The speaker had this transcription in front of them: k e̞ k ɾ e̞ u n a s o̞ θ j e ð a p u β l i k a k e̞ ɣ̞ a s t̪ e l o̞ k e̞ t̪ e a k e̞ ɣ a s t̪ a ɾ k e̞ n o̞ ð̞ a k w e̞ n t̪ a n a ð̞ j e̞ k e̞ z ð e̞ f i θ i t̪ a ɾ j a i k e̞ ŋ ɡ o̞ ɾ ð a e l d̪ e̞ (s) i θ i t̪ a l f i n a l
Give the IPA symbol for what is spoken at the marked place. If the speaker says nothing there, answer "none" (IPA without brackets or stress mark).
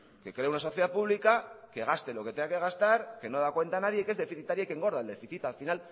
f